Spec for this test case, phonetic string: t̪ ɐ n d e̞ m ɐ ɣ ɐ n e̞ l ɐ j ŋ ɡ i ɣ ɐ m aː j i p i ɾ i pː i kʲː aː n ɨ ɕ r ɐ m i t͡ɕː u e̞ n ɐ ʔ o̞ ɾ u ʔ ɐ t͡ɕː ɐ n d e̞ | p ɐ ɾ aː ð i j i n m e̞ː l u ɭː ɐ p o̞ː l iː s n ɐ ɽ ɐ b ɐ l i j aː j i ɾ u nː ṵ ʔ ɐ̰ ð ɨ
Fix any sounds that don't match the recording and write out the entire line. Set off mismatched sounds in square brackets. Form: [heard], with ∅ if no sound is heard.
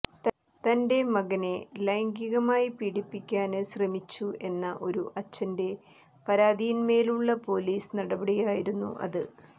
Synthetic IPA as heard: t̪ ɐ n d e̞ m ɐ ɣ ɐ n e̞ l ɐ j ŋ ɡ i ɣ ɐ m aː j i p i [ɽ] i pː i kʲː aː n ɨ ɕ r ɐ m i t͡ɕː u e̞ [nː] ɐ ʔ o̞ ɾ u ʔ ɐ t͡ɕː ɐ n d e̞ | p ɐ ɾ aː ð i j i n m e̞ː l u ɭː ɐ p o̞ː l iː s n ɐ ɽ ɐ b ɐ [ɽ] i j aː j i ɾ u nː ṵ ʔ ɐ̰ ð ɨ